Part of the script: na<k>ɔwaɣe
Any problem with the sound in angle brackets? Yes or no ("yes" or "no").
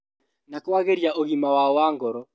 no